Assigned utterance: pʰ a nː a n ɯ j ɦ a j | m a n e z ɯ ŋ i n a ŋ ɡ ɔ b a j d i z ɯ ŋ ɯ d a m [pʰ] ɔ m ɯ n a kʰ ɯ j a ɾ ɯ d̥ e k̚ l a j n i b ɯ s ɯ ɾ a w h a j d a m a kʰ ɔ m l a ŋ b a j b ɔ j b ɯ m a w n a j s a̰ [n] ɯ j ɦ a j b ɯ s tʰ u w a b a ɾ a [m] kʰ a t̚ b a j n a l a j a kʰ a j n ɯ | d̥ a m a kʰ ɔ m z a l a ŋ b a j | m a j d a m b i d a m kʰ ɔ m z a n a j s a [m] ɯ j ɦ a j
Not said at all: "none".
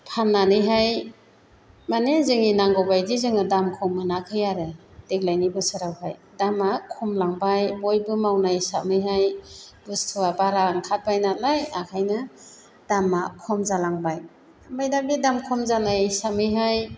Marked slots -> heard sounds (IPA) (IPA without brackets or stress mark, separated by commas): kʰ, m, ŋ, m